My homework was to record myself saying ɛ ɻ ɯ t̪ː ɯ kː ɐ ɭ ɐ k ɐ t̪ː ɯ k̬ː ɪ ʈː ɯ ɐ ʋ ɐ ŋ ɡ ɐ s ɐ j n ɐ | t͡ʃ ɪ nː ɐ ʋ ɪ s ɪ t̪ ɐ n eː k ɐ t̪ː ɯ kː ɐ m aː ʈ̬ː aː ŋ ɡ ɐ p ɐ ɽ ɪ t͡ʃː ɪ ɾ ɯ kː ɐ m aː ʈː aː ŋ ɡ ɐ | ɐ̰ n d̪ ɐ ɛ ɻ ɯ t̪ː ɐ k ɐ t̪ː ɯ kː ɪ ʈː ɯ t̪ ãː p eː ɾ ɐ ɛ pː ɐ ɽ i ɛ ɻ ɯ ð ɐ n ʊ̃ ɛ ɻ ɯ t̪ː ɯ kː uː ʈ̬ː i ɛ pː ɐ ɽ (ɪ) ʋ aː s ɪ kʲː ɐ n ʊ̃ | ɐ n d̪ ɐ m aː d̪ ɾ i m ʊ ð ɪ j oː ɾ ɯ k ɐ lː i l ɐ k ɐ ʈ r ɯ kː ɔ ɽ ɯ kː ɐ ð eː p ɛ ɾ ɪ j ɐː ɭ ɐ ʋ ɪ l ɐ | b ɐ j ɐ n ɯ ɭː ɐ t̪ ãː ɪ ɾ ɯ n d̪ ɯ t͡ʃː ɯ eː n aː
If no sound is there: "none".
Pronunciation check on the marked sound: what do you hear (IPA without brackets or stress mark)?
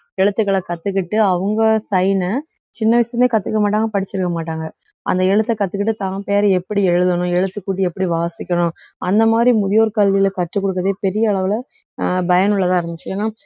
i